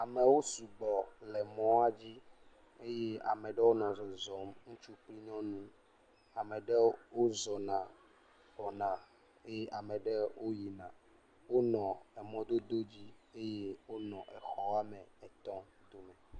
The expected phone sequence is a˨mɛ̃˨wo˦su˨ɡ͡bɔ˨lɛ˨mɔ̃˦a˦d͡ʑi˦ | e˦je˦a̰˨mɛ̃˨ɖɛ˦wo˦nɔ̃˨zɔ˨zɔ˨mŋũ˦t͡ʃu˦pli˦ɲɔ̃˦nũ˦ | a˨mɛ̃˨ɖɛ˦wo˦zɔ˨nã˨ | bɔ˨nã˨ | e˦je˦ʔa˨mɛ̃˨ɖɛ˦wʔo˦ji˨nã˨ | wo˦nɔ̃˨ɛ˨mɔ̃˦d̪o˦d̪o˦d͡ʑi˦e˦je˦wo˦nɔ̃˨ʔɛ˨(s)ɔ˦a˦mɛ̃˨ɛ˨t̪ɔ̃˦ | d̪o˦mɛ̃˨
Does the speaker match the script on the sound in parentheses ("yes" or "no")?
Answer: no